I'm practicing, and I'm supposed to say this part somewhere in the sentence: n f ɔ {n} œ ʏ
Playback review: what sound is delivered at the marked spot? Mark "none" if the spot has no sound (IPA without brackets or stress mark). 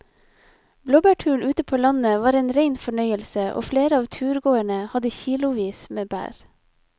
ɳ